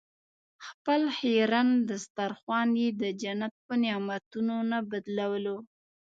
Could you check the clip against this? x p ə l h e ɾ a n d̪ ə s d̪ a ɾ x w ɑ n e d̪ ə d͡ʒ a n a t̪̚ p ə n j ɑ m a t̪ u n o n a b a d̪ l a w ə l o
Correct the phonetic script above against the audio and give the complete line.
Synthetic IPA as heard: x p ə l h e ɾ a n d̪ ə s t̪ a ɾ x w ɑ n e d̪ ə d͡ʒ a n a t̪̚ p ə n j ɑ m a t̪ u n o n a b a d̪ l a w ə l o

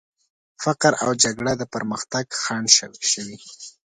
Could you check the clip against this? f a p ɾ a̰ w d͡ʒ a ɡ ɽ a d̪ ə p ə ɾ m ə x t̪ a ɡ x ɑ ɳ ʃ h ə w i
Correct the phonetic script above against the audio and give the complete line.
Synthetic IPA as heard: f a q ɾ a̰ w d͡ʒ a ɡ ɽ a d̪ ə p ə ɾ m ə x t̪ a ɡ x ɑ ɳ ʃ ʃ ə w i

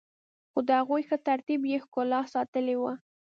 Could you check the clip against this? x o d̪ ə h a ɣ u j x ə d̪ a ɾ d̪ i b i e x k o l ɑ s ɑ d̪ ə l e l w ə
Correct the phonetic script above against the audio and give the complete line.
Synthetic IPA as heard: x o d̪ ə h a ɣ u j x ə t̪ a ɾ t̪ i b j e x k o l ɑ s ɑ t̪ ə l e w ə

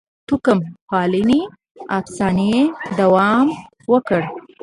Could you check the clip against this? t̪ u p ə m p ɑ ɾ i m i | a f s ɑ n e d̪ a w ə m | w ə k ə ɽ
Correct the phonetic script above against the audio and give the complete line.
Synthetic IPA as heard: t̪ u k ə m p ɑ l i n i | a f s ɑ n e d̪ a w ɑ m | w ə k ə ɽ

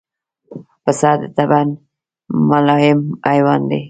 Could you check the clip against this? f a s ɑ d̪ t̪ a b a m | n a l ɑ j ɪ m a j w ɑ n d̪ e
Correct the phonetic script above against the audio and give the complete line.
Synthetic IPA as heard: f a s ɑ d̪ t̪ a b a n | m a l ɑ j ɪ m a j w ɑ n d̪ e

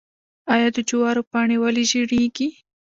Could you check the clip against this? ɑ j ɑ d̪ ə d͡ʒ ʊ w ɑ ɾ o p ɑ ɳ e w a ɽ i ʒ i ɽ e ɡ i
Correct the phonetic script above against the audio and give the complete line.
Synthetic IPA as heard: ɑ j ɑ d̪ ə d͡ʒ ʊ w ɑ ɾ o p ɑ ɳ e w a l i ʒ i ɽ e ɡ i

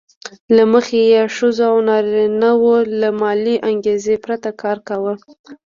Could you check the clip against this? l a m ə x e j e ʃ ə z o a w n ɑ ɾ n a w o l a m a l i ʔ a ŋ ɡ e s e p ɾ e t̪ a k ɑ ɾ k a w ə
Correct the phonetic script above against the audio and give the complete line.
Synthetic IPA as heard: l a m ə x e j e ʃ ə z o a w n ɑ ɾ n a w o l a m ɑ l i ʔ a ŋ ɡ e z e p ɾ a t̪ a k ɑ ɾ k a w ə

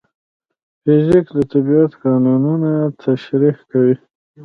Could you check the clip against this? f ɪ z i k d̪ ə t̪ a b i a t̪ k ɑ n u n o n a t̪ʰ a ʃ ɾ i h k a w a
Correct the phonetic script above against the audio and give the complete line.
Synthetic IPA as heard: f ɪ z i k d̪ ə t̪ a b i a t̪ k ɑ n u n u n a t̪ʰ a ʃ ɾ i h k a w i

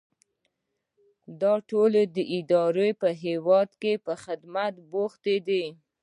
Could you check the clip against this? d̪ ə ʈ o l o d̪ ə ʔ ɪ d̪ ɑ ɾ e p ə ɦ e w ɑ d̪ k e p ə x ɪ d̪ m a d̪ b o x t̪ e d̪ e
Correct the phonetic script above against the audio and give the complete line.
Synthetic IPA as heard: d̪ ɑ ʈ o l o d̪ ə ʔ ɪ d̪ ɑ ɾ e p ə ɦ e w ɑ d̪ k e p ə x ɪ d̪ m a t̪ b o x t̪ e d̪ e

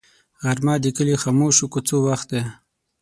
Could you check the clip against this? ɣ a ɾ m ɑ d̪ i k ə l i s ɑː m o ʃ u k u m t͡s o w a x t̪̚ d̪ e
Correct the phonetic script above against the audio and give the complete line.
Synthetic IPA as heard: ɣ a ɾ m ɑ d̪ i k ə l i x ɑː m o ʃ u k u t͡s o w a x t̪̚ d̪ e

